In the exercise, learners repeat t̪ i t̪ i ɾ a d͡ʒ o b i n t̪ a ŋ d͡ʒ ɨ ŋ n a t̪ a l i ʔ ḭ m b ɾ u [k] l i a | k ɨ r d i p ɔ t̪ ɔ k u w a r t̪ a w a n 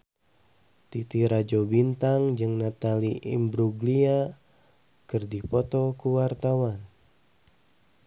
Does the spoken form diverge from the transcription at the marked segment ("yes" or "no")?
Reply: yes